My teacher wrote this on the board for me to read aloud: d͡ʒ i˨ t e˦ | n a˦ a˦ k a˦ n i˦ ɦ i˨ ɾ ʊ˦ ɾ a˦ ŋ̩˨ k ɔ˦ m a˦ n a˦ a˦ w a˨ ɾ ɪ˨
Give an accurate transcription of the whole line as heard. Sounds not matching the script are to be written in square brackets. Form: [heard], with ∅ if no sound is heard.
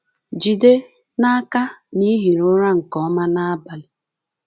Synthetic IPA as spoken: d͡ʒ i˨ [d] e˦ | n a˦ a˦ k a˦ n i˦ ɦ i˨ ɾ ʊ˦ ɾ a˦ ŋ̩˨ k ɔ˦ m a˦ n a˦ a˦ [b] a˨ [l] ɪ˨